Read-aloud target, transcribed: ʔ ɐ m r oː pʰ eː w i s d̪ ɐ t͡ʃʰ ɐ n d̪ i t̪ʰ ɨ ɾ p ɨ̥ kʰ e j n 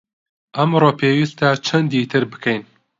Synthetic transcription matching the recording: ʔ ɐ m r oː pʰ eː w i s t̪ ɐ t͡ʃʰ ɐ n d̪ i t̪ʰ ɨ ɾ b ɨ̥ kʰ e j n

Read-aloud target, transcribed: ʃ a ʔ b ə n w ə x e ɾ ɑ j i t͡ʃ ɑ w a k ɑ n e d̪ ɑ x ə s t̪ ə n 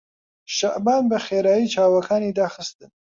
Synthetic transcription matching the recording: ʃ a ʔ b ɑ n b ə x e ɾ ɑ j i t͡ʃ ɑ w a k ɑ n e d̪ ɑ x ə s t̪ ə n

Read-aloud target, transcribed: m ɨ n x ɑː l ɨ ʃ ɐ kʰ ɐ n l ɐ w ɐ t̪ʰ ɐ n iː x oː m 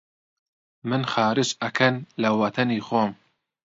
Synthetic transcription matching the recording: m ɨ n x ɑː ɾ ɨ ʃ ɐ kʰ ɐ n l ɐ w ɐ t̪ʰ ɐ n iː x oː m

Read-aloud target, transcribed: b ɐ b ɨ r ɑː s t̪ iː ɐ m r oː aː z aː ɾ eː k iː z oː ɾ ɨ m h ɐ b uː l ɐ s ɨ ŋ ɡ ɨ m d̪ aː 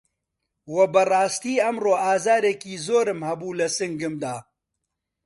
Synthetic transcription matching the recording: w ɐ b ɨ r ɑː s t̪ iː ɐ m r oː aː z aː ɾ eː k iː z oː ɾ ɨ m h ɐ b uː l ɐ s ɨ ŋ ɡ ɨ m d̪ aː

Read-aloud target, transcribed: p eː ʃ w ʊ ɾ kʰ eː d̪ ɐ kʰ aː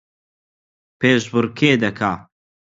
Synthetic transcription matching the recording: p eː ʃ b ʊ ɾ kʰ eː d̪ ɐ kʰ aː

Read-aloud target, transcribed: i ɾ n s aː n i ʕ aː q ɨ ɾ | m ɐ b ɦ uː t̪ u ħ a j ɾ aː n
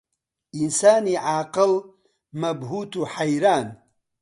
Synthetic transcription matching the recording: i n s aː n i ʕ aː q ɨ l | m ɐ b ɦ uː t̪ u ħ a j ɾ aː n

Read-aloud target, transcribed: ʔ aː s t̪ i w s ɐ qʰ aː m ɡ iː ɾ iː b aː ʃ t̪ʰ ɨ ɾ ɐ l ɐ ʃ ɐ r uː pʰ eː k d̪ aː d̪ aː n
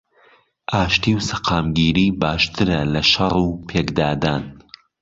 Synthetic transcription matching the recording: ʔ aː ʃ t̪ i w s ɐ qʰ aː m ɡ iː ɾ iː b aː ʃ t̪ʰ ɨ ɾ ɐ l ɐ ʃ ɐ r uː pʰ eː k d̪ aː d̪ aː n

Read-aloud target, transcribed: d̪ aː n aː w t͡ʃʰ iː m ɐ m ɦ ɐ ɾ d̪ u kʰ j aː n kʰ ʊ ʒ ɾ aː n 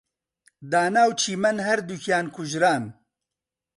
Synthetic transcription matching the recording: d̪ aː n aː w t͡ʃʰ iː m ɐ n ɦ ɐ ɾ d̪ u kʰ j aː n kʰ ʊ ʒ ɾ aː n

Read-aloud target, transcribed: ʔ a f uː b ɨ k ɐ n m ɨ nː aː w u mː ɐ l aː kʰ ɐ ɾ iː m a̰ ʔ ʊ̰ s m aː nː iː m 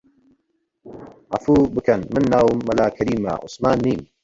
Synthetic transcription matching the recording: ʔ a f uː b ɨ k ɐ n m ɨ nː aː w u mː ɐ l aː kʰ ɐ ɾ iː m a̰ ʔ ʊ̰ s m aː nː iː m

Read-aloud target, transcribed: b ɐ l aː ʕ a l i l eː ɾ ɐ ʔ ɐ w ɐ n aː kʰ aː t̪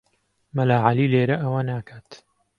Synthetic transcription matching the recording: m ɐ l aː ʕ a l i l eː ɾ ɐ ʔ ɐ w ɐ n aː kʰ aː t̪

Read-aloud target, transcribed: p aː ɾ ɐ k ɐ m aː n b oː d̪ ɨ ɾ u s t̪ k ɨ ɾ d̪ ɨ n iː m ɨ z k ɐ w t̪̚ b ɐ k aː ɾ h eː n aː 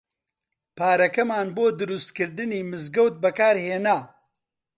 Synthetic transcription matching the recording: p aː ɾ ɐ k ɐ m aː n b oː d̪ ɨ ɾ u s t̪ k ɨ ɾ d̪ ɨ n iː m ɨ z ɡ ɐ w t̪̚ b ɐ k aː ɾ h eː n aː

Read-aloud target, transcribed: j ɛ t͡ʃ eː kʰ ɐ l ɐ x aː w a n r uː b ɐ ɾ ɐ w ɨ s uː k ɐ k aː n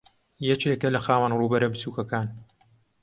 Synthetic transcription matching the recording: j ɛ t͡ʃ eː k ɐ l ɐ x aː w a n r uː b ɐ ɾ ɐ b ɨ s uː k ɐ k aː n

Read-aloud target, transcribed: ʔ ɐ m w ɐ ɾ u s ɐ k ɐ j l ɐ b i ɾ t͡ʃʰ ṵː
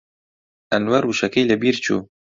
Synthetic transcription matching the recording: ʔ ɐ n w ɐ ɾ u ʃ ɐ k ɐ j l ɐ b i ɾ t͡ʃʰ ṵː

